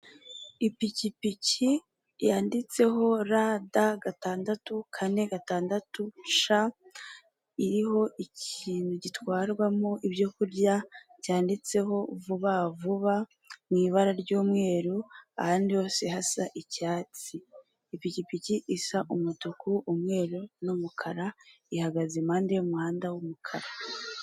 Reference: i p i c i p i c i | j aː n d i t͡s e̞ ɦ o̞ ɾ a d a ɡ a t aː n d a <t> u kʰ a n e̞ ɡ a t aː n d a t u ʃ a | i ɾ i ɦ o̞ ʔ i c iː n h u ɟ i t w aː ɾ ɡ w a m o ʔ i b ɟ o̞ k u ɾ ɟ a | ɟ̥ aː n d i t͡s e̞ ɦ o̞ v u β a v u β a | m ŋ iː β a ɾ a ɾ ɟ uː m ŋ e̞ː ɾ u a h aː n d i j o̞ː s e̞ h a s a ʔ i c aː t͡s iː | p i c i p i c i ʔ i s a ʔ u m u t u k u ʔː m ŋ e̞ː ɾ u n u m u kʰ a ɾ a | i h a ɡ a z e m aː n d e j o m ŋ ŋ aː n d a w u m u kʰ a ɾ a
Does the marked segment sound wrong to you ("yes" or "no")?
no